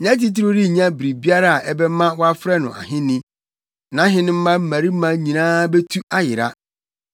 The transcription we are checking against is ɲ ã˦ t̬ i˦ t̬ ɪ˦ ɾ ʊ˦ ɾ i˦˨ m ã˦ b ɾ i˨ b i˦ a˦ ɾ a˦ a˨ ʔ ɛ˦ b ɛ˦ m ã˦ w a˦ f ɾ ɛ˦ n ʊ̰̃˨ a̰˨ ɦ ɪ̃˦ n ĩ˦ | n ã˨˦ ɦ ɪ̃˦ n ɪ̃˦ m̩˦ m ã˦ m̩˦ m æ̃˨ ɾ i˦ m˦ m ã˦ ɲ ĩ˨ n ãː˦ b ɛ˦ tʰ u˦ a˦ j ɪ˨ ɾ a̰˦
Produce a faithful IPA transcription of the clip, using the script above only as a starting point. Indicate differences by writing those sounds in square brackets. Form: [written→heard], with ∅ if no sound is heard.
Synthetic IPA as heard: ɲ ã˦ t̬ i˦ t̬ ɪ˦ ɾ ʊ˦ ɾ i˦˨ [m→ɲ] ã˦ b ɾ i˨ b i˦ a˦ ɾ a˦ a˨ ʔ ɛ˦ b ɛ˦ m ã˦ w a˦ f ɾ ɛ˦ n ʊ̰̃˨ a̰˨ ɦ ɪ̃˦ n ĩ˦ | n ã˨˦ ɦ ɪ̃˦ n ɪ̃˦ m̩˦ m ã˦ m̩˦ m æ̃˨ ɾ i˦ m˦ m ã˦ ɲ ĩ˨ n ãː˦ b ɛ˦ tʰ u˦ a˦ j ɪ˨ ɾ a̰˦